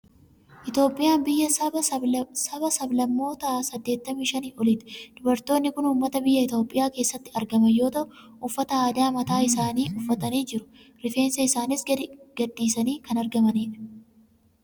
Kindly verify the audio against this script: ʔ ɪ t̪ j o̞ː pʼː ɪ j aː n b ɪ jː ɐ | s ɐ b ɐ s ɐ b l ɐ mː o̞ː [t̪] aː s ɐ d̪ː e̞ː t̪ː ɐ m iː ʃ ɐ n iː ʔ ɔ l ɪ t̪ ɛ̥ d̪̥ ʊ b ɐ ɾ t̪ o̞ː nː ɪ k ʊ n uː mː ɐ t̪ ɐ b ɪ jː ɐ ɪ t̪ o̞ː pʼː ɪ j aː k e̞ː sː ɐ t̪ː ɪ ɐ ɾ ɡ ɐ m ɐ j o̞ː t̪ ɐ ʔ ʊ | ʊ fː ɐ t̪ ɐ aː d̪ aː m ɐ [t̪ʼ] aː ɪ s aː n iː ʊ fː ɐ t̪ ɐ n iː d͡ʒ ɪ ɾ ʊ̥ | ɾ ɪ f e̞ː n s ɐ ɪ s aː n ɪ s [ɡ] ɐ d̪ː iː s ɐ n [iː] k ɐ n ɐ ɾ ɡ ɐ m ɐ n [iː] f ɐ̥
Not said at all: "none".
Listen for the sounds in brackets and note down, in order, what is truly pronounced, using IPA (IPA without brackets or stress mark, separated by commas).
t̪, t̪, ɡ, iː, iː